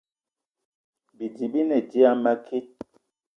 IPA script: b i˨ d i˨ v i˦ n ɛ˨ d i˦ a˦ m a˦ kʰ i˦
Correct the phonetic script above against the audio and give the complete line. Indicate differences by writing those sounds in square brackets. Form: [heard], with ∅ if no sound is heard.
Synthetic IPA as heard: b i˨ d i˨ [b] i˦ n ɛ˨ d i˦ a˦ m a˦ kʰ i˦